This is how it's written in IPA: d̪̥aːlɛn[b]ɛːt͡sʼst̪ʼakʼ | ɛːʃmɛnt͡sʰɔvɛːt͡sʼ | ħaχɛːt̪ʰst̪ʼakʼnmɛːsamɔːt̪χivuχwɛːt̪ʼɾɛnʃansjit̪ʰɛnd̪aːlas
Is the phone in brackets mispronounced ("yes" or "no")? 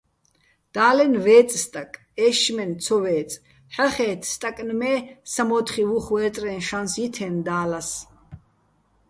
yes